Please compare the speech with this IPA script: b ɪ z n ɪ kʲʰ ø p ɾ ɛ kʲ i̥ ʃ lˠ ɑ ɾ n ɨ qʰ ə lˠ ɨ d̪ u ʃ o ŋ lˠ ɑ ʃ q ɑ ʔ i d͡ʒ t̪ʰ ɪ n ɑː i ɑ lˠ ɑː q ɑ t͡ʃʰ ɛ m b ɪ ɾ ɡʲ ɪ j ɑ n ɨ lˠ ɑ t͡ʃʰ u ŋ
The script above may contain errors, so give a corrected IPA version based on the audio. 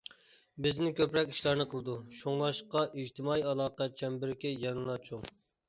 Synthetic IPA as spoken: b ɪ z n ɪ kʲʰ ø p ɾ ɛ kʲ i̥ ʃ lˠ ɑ ɾ n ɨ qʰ ə lˠ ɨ d̪ u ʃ o ŋ lˠ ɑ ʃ q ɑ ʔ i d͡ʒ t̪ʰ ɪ m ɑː i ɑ lˠ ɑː q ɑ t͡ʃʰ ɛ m b ɪ ɾ kʲ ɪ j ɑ n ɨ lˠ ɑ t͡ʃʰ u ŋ